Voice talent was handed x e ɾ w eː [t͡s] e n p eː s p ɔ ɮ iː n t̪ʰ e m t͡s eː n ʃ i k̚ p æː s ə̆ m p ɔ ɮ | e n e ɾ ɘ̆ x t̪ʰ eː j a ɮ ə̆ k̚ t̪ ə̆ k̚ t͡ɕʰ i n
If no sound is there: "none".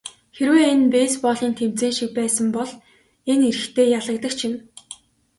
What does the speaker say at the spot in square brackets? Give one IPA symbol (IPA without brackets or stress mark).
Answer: none